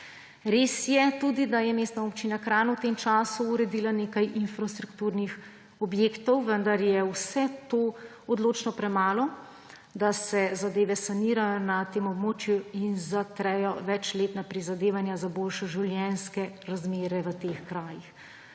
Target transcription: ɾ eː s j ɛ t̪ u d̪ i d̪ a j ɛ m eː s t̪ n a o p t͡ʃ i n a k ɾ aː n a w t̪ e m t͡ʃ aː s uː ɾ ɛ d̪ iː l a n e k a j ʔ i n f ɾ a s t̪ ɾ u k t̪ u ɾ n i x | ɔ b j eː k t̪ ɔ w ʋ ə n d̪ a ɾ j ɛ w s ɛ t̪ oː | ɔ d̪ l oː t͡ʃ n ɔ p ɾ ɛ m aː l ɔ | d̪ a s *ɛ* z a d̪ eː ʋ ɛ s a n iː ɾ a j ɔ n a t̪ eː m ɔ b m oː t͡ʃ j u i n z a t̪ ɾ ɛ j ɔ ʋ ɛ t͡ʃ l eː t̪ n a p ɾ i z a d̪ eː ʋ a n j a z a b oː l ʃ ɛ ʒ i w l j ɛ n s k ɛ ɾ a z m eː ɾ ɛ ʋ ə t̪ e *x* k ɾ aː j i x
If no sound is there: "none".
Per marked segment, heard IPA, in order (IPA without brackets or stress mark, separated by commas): ɛ, x